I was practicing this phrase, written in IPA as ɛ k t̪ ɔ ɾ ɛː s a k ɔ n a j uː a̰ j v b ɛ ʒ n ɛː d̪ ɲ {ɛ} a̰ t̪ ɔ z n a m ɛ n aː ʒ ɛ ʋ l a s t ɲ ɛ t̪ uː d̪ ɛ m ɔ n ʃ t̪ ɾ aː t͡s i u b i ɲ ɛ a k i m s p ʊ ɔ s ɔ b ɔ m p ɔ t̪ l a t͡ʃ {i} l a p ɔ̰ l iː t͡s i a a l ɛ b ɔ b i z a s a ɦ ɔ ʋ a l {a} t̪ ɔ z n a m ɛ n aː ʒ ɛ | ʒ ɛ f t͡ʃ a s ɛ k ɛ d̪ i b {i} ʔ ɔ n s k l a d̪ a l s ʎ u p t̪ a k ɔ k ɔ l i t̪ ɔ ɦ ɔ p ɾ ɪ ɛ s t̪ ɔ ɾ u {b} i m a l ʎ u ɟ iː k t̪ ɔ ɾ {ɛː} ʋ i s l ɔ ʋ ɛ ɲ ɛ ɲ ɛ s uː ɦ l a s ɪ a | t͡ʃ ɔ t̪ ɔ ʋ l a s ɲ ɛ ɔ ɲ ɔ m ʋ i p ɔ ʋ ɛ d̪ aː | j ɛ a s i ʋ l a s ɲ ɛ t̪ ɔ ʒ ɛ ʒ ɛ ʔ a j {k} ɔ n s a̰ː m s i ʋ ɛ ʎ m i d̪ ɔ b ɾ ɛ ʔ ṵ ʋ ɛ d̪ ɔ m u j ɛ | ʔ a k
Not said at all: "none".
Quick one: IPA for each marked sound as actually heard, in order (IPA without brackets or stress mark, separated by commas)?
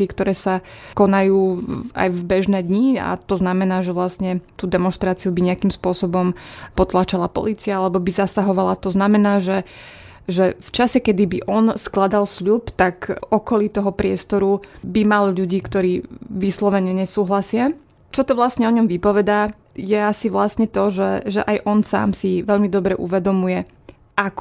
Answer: i, a, a, i, b, iː, ʔ